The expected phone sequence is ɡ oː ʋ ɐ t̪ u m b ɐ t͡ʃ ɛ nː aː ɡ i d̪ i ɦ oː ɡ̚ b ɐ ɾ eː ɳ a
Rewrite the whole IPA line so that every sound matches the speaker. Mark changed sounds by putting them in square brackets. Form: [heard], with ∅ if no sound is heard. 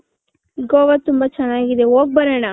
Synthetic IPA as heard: ɡ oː ʋ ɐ t̪ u m b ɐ t͡ʃ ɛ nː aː ɡ i d̪ [e] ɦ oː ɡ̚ b ɐ ɾ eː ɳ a